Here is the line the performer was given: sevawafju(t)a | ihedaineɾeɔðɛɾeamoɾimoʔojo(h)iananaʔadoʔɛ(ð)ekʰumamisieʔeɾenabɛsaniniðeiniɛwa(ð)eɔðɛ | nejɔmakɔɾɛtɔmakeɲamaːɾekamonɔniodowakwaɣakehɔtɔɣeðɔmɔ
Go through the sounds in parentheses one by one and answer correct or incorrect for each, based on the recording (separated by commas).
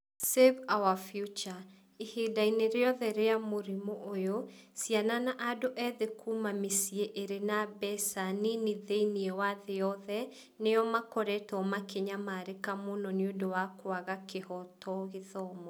incorrect, incorrect, correct, correct